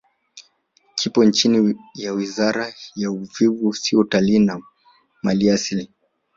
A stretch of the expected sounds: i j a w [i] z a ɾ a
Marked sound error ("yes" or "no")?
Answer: no